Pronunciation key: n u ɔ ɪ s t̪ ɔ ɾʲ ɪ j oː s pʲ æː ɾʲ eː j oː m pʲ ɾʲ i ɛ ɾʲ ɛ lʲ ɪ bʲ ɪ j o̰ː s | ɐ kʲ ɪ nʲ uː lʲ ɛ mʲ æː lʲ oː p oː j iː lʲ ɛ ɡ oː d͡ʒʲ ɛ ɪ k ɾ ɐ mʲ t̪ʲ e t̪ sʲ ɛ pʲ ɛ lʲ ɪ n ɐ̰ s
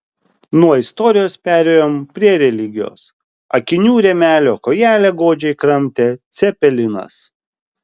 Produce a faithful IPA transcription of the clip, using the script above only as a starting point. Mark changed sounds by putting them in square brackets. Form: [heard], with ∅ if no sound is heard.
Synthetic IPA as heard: n u ɔ ɪ s t̪ ɔ ɾʲ ɪ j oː s pʲ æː ɾʲ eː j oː m pʲ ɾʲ i ɛ ɾʲ ɛ lʲ ɪ [ɡʲ] ɪ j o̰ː s | ɐ kʲ ɪ nʲ uː [ɾʲ] ɛ mʲ æː lʲ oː [k] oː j [æː] lʲ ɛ ɡ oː d͡ʒʲ ɛ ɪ k ɾ ɐ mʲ t̪ʲ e t̪ sʲ ɛ pʲ ɛ lʲ ɪ n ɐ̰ s